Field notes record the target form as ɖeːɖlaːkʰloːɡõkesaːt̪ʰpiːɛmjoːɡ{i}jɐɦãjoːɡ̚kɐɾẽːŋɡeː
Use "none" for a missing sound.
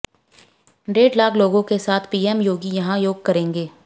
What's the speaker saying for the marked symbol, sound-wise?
i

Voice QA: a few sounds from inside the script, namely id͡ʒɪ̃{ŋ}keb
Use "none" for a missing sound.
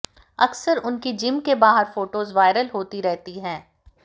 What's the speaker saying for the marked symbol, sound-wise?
m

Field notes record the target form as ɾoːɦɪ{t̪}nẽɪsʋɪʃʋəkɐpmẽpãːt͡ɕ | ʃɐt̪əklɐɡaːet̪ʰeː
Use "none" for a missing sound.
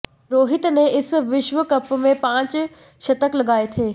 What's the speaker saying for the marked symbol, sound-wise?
t̪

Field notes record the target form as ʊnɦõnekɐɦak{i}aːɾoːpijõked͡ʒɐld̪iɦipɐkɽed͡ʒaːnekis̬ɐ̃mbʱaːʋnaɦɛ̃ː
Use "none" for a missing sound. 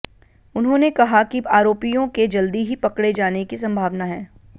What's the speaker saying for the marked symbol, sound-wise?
i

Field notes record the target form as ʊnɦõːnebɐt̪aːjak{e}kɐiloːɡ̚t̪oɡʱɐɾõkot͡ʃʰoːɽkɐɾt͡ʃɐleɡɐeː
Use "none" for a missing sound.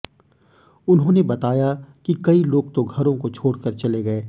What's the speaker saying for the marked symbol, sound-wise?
i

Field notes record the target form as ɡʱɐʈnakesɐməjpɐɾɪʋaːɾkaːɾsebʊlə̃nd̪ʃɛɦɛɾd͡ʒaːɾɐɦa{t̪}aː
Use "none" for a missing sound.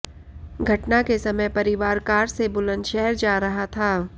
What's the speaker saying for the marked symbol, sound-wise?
t̪ʰ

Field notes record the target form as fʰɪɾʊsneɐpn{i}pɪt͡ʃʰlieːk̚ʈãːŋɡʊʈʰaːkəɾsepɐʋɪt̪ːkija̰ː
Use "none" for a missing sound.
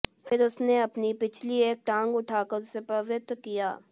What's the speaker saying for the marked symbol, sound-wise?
i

